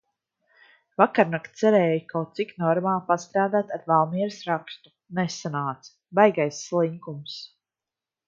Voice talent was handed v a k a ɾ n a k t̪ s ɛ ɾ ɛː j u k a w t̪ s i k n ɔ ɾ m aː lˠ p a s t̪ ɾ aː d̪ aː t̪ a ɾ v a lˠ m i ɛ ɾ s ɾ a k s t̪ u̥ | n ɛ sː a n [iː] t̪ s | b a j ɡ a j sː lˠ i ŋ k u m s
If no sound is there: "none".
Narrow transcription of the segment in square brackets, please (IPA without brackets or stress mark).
aː